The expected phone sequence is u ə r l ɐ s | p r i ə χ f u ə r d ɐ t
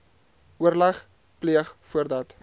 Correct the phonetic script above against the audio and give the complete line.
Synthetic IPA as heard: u ə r l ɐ χ | p l i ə χ f u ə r d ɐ t